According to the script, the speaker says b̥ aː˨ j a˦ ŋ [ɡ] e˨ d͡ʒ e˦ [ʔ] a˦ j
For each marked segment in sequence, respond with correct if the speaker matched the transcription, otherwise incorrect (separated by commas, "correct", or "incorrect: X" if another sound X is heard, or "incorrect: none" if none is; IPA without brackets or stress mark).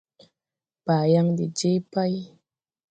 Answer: incorrect: d, incorrect: p